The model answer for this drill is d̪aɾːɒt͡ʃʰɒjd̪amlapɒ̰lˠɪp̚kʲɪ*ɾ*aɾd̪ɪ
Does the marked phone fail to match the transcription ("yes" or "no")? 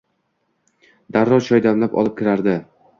no